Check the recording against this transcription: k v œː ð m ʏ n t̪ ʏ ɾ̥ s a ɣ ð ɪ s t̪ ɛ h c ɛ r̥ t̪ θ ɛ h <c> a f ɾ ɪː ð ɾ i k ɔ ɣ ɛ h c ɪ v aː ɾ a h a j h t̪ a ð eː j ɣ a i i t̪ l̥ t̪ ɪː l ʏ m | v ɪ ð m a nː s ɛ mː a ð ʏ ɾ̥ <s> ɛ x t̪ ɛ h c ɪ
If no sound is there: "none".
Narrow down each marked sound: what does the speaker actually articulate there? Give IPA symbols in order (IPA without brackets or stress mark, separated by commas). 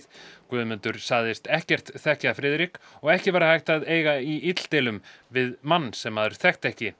c, θ